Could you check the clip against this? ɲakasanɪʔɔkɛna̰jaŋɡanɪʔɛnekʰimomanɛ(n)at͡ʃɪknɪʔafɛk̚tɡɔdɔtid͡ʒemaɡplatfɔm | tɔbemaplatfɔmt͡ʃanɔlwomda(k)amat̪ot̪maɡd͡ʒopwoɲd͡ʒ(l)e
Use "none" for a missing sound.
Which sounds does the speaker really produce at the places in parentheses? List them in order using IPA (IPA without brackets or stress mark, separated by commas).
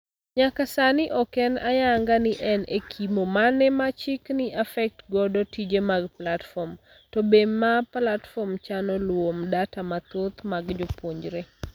m, t, ɾ